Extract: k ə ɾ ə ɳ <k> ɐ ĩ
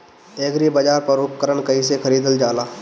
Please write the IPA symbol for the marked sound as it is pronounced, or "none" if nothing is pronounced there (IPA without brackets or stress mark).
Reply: k